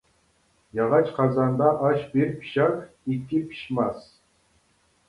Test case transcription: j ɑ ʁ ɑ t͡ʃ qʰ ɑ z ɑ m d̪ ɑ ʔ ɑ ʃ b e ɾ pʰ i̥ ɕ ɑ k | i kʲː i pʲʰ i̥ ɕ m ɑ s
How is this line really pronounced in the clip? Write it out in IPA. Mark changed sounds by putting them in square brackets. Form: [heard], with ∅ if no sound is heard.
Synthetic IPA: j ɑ ʁ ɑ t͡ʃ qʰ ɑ z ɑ [n] d̪ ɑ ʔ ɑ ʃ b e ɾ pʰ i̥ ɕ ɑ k | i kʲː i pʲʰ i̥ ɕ m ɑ s